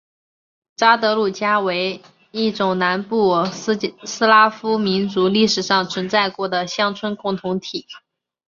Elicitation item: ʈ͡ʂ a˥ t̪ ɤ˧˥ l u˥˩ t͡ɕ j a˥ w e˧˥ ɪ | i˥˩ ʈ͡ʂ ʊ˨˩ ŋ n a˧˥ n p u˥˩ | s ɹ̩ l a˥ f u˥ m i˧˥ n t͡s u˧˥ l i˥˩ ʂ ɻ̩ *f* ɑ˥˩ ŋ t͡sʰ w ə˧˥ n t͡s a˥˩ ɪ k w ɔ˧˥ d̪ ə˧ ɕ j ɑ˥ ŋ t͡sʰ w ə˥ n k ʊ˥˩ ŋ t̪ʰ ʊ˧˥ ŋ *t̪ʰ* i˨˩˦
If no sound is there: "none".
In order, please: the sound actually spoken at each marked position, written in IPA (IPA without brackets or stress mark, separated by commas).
ʂ, t̪ʰ